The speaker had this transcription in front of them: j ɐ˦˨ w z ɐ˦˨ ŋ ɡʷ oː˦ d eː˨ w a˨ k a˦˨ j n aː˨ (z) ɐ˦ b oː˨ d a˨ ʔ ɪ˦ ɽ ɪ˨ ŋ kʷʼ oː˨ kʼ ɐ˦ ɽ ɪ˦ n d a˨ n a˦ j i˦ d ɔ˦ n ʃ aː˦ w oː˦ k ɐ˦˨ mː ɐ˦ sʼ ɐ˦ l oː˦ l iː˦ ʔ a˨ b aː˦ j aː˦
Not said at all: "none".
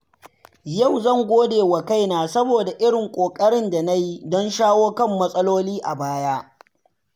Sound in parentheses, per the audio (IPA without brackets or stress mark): s